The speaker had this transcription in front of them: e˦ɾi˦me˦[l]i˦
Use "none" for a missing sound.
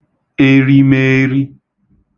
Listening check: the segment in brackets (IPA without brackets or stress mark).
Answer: ɾ